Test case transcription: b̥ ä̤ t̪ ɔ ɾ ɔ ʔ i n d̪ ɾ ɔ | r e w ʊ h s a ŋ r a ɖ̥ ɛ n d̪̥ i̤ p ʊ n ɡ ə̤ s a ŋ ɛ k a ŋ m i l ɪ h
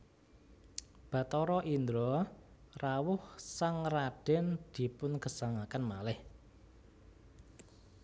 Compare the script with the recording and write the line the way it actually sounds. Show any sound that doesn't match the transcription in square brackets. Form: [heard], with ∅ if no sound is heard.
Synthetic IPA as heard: b̥ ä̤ t̪ ɔ ɾ ɔ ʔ i n d̪ ɾ ɔ | r [a] w ʊ h s a ŋ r a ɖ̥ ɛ n d̪̥ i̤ p ʊ n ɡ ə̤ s a ŋ [a] k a [n] m [a] l ɪ h